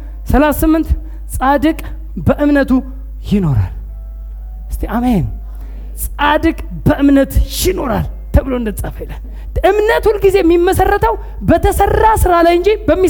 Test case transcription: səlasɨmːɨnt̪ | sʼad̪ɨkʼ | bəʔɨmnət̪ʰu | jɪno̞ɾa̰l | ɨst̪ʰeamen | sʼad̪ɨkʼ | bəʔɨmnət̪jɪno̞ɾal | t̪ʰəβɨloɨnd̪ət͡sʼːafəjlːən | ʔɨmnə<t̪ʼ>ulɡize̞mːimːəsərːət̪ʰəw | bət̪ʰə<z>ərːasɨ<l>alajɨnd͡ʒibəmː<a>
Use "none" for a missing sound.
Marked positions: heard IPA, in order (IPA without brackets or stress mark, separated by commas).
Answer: t̪, s, ɾ, i